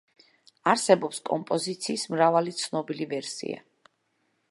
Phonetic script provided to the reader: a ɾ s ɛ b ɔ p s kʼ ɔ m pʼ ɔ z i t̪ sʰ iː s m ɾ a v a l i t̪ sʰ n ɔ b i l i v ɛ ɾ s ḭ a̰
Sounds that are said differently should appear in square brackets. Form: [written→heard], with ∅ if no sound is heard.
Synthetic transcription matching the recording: a ɾ s ɛ b ɔ p s kʼ ɔ m pʼ ɔ z i t̪ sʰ iː s m ɾ a v a l i t̪ sʰ n ɔ b i l i v ɛ ɾ s ḭ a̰